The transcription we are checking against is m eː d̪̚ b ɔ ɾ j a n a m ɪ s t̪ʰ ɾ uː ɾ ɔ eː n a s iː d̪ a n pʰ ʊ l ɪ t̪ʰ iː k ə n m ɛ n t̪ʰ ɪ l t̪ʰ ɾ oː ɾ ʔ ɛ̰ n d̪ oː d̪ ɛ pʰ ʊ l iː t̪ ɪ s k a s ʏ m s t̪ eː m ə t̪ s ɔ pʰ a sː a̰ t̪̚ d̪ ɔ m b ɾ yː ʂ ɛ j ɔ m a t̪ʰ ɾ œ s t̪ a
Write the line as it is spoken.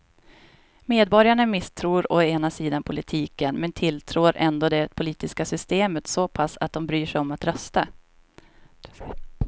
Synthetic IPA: m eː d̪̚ b ɔ ɾ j a ɳ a m ɪ s t̪ʰ ɾ uː ɾ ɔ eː n a s iː d̪ a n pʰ ʊ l ɪ t̪ʰ iː k ə n m ɛ n t̪ʰ ɪ l t̪ʰ ɾ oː ɾ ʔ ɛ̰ n d̪ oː d̪ ɛ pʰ ʊ l iː t̪ ɪ s k a s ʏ s t̪ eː m ə t̪ s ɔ pʰ a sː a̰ t̪̚ d̪ ɔ m b ɾ yː ʂ ɛ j ɔ m a t̪ ɾ œ s t̪ a

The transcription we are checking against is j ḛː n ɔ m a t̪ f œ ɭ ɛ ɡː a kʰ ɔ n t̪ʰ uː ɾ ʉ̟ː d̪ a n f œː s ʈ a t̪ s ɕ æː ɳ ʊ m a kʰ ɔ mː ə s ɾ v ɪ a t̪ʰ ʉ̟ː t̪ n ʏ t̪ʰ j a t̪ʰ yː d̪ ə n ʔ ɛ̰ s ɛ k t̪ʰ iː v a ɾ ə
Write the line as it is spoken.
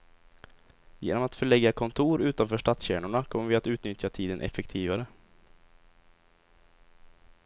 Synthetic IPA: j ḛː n ɔ m a t̪ f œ ɭ ɛ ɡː a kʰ ɔ n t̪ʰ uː ɾ ʉ̟ː t̪ a n f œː ʂ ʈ a t̪ s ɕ æː ɳ ʊ ɳ a kʰ ɔ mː ə ɾ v ɪ a t̪ ʉ̟ː t̪ n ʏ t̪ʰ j a t̪ʰ iː d̪ ə n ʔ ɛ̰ f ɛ k t̪ʰ iː v a ɾ ə

